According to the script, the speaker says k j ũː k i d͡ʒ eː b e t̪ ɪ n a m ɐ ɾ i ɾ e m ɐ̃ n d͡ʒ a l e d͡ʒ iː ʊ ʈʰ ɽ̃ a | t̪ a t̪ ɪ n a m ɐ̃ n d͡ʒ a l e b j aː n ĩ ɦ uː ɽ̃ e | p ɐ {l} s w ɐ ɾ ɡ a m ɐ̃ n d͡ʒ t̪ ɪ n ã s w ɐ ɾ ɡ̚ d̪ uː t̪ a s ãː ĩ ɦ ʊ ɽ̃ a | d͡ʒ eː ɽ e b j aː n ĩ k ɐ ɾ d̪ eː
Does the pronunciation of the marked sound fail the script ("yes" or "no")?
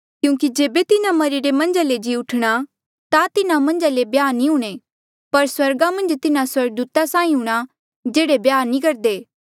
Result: yes